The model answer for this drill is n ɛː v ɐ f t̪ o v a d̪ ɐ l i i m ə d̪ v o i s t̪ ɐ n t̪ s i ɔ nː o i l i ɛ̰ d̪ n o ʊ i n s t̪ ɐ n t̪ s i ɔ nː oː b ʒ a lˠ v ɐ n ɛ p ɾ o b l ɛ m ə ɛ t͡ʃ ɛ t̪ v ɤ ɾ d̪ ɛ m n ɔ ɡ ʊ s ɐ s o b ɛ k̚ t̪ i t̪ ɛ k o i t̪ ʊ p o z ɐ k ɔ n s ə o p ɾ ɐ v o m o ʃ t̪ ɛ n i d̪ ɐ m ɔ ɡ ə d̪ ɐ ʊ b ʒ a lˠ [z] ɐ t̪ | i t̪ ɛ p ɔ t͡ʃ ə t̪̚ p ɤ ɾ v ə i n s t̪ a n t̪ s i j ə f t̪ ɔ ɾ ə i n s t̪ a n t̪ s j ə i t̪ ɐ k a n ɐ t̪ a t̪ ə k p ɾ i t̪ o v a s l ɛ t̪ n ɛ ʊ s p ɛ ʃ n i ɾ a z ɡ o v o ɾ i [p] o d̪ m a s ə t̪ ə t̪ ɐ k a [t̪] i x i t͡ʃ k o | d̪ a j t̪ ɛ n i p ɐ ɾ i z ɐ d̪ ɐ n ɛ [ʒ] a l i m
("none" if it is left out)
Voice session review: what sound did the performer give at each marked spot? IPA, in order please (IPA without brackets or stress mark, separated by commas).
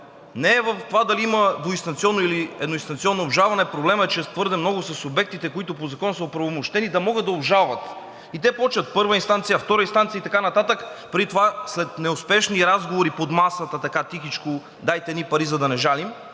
v, p, t̪, ʒ